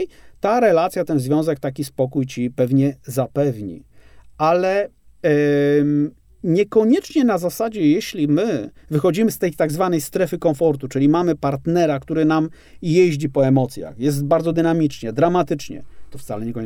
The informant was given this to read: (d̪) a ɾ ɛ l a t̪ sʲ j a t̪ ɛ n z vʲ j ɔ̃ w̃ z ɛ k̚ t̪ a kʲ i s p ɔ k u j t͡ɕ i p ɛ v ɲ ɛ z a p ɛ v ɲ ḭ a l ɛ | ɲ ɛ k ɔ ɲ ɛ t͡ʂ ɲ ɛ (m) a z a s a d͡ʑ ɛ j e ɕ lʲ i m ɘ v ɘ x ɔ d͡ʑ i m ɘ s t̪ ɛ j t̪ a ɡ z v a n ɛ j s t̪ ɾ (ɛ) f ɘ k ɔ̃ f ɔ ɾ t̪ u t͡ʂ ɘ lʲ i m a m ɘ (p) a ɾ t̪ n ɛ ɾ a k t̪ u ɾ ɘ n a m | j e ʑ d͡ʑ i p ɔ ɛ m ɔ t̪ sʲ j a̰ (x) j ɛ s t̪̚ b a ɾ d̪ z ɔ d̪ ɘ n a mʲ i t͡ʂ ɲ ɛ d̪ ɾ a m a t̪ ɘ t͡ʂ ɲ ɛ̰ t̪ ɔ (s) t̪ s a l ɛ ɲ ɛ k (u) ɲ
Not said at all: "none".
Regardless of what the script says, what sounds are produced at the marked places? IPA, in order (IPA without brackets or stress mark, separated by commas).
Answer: t̪, n, ɛ, p, x, f, ɔ